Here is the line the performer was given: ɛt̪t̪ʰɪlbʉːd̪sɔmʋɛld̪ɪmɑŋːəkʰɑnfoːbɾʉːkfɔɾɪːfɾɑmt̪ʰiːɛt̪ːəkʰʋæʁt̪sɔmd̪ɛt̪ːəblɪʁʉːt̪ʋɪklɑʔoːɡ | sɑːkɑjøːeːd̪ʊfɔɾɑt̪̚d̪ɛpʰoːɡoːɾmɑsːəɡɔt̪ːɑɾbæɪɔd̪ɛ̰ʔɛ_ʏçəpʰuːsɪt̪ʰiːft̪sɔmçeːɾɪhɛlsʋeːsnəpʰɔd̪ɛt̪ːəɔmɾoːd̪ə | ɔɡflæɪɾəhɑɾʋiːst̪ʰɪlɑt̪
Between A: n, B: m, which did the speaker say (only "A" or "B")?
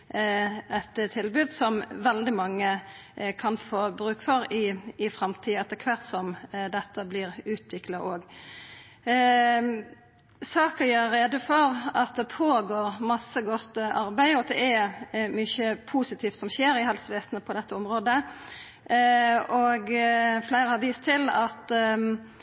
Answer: B